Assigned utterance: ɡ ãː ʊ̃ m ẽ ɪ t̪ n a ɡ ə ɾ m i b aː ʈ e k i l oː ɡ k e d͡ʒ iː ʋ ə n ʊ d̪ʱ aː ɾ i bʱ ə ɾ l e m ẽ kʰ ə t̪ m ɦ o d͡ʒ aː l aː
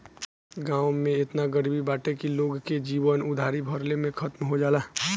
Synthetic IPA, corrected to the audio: ɡ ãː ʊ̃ m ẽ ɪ t̪ n a ɡ ə ɾ b i b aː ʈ e k i l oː ɡ k e d͡ʒ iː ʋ ə n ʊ d̪ʱ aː ɾ i bʱ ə ɾ l e m ẽ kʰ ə t̪ m ɦ o d͡ʒ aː l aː